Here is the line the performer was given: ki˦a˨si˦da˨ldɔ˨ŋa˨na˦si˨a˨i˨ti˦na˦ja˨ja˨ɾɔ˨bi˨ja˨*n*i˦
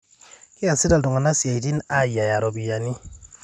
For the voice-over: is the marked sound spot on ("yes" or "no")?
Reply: yes